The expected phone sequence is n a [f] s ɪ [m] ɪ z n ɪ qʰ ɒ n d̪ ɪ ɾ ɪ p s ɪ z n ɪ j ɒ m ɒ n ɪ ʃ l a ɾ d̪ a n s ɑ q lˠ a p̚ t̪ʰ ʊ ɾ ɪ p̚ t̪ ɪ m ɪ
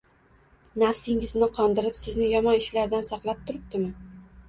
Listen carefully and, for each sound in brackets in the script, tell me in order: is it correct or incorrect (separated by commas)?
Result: correct, incorrect